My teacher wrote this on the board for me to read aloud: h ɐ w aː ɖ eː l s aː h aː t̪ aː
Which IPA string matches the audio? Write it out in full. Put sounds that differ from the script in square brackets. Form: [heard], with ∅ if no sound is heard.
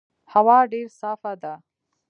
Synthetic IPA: h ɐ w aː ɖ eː [ɾ] s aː [f] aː [d̪] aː

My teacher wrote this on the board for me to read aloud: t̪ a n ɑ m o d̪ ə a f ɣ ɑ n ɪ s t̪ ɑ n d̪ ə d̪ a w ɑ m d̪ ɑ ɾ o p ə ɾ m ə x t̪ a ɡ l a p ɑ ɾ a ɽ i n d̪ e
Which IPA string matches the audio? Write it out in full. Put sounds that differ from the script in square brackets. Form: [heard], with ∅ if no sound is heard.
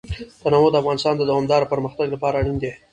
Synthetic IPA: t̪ a n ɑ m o d̪ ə a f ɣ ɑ n ɪ s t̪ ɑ n d̪ ə d̪ a w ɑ m d̪ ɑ ɾ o p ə ɾ m ə x t̪ a ɡ l a p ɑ ɾ a ɽ i n d̪ e

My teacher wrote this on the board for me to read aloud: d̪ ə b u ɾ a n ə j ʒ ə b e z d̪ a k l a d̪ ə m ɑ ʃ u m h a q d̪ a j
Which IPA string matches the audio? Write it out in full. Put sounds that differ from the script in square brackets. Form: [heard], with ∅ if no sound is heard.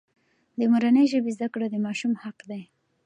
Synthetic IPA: d̪ ə [m] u ɾ a n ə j ʒ ə b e z d̪ a k [ɽ] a d̪ ə m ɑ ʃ u m h a q d̪ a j

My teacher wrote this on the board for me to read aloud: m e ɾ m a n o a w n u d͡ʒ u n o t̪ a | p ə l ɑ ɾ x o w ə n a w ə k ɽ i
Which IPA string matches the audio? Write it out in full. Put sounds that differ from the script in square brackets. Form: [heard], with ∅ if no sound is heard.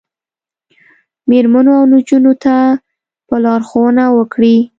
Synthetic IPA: m e ɾ m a n o a w n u d͡ʒ u n o t̪ a | p ə l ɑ ɾ x o w ə n a w ə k ɽ i

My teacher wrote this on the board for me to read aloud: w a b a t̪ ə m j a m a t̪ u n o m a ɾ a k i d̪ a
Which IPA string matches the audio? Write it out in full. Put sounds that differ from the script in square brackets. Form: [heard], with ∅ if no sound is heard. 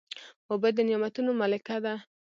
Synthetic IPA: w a b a [d̪] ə [n] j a m a t̪ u n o m a [l] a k [a] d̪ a

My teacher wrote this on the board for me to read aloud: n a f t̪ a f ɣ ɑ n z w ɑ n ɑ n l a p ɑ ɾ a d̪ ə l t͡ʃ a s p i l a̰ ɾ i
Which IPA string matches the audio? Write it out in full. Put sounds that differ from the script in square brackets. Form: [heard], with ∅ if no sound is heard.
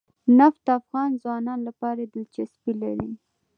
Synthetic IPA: n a f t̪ a f ɣ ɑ n z w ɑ n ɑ n l a p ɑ ɾ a d̪ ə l t͡ʃ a s p i l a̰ ɾ i

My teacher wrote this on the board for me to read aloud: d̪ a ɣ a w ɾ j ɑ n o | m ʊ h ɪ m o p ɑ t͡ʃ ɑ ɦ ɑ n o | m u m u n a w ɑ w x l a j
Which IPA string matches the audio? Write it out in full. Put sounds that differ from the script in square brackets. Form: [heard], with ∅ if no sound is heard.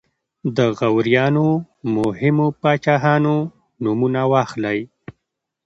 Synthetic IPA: d̪ [ə] ɣ a w ɾ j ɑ n o | m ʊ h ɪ m o p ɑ t͡ʃ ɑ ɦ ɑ n o | [n] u m u n a w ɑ [∅] x l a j

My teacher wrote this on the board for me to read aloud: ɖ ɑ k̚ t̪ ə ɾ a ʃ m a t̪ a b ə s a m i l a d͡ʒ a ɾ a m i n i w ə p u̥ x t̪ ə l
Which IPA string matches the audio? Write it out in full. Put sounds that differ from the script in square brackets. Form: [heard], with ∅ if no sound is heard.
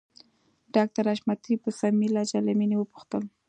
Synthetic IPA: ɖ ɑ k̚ t̪ [a] ɾ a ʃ m a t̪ [i] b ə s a m i l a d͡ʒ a [l] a m i n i w ə p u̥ x t̪ ə l

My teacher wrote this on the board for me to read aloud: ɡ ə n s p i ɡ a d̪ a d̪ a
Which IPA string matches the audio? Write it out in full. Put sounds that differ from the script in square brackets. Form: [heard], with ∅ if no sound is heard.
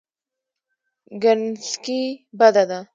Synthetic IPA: ɡ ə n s [k] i [b] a d̪ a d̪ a

